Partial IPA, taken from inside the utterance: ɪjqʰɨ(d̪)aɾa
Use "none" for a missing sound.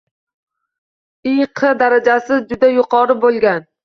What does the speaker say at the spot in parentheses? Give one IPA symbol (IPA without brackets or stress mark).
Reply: d̪